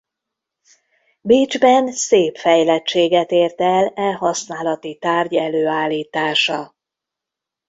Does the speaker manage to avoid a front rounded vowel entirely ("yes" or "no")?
no